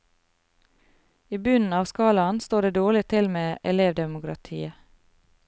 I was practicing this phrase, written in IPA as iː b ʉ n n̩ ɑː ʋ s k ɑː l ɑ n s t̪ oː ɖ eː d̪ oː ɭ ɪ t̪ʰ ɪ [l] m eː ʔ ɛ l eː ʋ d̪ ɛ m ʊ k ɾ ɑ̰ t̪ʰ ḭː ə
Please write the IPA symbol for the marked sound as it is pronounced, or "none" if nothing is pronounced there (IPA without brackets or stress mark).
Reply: l